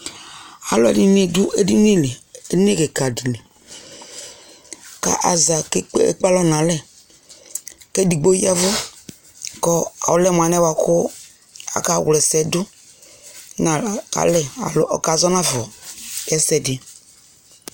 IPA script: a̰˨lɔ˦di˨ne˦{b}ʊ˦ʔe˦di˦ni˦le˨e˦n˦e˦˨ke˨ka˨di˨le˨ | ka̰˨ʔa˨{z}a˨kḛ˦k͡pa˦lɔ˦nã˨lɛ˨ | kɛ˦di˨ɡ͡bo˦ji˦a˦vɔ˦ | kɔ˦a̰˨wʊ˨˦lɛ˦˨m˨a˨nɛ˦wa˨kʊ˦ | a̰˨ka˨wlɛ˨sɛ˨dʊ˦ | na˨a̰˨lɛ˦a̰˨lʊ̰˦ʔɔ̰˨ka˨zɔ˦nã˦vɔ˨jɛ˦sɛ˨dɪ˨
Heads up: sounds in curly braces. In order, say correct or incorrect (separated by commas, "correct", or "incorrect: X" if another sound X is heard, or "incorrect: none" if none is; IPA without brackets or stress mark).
incorrect: d, correct